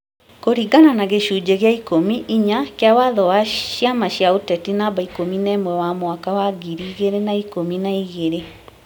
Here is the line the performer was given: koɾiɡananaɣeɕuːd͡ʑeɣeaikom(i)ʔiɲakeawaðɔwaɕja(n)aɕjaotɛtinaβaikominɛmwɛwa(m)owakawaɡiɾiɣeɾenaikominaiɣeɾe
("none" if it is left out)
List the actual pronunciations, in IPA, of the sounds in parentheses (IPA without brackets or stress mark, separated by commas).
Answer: i, m, m